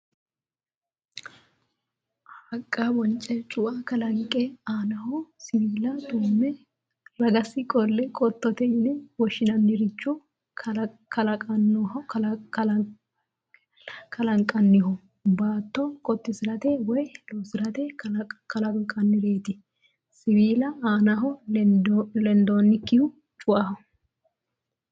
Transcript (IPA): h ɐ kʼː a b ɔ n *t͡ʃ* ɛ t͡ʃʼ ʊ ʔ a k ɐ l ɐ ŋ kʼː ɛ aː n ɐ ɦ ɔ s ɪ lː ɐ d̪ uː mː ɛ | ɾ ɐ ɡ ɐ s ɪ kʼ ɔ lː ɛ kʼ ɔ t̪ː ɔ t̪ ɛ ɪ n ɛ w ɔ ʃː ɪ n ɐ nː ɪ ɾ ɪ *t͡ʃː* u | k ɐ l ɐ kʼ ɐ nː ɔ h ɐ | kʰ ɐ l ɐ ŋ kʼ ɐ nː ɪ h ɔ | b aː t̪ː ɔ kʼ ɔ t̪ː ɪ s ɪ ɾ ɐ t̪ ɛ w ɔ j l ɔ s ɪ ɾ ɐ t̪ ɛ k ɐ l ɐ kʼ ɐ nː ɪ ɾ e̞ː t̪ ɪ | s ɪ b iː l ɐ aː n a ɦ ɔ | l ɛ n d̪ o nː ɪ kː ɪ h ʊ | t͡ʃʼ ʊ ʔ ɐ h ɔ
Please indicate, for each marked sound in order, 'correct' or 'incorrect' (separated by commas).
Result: incorrect, correct